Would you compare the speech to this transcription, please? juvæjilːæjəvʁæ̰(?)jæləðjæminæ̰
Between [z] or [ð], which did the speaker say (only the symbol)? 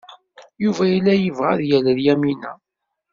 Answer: ð